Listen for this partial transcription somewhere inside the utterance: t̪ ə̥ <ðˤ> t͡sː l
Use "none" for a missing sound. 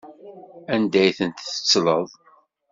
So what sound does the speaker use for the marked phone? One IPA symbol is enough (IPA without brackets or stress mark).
none